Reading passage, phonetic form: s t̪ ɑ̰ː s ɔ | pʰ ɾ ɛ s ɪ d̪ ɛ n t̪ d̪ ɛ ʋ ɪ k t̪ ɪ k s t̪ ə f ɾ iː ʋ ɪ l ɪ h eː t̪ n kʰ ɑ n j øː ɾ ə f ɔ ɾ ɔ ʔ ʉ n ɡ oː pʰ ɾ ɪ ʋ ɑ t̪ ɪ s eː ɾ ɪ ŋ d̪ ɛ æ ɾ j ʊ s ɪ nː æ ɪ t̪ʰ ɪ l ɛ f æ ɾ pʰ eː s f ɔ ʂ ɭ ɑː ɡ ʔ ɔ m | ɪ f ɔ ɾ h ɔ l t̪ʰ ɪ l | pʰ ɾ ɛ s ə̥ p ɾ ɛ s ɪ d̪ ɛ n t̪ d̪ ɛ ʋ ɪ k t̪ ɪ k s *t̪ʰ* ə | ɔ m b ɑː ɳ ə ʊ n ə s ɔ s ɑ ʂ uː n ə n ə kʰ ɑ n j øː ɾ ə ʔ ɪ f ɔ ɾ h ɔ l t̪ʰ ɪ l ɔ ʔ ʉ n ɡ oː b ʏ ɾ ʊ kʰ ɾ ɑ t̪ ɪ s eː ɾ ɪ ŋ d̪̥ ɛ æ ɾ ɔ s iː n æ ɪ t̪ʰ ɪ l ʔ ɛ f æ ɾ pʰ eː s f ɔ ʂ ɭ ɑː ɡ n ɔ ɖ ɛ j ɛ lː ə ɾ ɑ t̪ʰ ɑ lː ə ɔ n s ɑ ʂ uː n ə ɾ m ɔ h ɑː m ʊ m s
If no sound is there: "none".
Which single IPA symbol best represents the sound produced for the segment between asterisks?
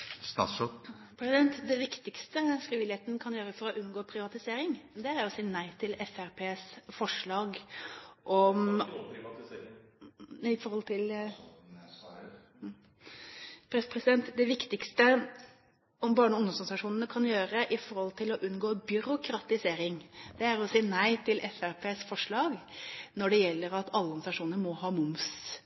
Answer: t̪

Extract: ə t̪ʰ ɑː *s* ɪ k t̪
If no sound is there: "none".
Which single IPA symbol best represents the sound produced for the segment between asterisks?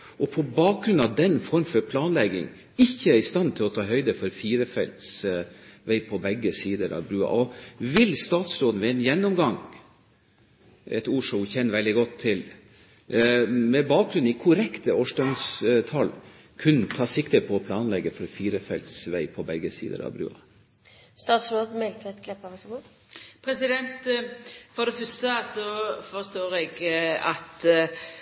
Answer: s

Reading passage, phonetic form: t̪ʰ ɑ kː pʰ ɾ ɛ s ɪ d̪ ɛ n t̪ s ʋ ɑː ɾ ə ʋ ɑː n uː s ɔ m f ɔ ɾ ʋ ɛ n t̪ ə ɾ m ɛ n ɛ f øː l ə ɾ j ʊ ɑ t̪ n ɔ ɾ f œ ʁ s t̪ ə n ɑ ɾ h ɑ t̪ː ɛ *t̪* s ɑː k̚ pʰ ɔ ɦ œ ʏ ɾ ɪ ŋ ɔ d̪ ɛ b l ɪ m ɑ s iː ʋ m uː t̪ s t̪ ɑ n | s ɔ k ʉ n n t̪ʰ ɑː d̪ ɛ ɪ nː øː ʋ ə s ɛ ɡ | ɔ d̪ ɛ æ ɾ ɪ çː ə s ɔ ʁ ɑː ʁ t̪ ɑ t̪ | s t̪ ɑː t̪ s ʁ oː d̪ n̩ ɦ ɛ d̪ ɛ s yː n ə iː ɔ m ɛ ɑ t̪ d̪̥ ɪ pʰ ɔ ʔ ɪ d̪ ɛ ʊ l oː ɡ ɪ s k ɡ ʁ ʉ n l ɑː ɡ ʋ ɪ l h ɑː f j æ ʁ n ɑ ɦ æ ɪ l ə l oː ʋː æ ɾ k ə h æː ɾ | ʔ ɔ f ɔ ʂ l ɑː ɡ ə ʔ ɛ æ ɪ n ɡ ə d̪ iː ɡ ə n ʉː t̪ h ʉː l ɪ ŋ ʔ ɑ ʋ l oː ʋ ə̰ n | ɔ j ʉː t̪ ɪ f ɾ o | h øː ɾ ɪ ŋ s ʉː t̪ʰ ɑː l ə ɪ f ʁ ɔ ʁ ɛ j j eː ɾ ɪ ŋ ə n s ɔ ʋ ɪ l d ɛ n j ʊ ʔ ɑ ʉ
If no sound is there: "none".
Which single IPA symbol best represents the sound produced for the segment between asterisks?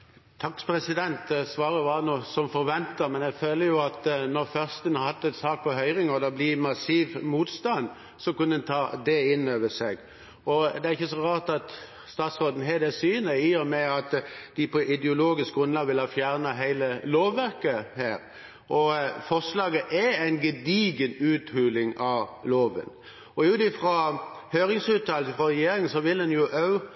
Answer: t̪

